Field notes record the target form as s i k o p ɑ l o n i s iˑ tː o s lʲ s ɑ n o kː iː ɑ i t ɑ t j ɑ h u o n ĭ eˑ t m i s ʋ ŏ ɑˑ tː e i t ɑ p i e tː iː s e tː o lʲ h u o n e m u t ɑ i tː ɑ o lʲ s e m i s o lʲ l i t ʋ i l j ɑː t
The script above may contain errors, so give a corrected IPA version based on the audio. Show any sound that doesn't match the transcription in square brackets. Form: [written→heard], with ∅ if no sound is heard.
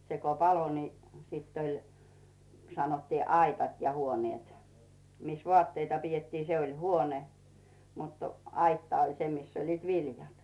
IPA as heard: s [i→e] k o p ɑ l o n i s iˑ tː o [s→∅] lʲ s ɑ n o [kː→tː] iː ɑ i t ɑ t j ɑ h u o n ĭ eˑ t m i s ʋ ŏ ɑˑ tː e i t ɑ p i e tː iː s e [tː→∅] o lʲ h u o n e m u t ɑ i tː ɑ o lʲ s e m i s o lʲ l [i→iː] t ʋ i l j [ɑː→ɑ] t